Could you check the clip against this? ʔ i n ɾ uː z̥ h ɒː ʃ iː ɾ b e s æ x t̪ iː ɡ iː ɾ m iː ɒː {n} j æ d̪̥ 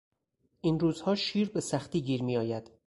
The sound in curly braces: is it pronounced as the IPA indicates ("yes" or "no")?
no